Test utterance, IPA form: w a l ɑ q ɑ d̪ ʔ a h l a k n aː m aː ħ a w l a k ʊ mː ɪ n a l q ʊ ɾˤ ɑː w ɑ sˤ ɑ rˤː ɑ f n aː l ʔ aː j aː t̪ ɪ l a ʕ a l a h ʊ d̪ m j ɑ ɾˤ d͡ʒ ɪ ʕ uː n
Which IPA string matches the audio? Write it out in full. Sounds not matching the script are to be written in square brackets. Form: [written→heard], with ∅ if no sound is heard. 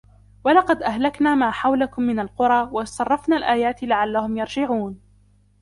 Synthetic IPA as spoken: w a l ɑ q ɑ d̪ ʔ a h l a k n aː m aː ħ a w l a k ʊ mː ɪ n a l q ʊ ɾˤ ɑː w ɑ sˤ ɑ rˤː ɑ f n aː l ʔ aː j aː t̪ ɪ l a ʕ a [l→lː] a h ʊ [d̪→∅] m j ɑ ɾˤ d͡ʒ ɪ ʕ uː n